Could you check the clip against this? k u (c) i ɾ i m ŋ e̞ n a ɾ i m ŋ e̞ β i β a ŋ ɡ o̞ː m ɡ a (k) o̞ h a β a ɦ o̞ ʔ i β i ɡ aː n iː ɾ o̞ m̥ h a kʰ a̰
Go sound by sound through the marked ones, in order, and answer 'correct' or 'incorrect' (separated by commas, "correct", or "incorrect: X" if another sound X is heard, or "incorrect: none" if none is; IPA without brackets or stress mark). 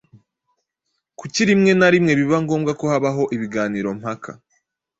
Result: correct, correct